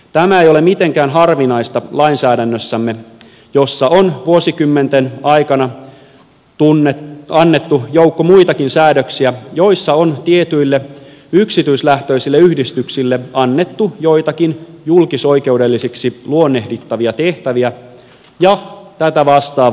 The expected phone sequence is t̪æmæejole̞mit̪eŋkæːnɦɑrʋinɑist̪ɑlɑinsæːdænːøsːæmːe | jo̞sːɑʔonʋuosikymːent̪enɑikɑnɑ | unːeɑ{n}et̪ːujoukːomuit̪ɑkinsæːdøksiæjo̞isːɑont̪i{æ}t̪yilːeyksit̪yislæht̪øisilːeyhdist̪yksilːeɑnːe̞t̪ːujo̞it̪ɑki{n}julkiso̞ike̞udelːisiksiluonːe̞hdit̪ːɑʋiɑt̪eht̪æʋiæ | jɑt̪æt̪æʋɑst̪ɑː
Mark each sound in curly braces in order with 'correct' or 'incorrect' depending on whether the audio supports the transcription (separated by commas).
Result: incorrect, incorrect, correct